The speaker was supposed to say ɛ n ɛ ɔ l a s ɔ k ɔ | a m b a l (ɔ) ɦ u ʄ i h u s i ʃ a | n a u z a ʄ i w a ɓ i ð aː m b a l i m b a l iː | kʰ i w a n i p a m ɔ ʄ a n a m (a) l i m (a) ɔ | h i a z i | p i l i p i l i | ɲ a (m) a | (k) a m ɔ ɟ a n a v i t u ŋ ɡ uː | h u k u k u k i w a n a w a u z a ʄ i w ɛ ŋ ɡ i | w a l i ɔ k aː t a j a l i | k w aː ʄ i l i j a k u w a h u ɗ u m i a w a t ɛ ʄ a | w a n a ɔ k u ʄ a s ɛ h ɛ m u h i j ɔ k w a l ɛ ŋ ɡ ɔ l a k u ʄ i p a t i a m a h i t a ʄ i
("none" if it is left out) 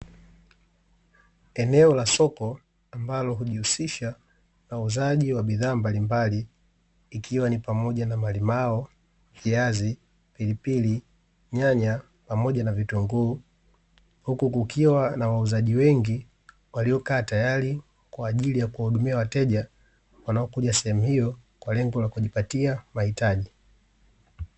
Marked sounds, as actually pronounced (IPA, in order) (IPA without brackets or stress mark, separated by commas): ɔ, a, a, ɲ, p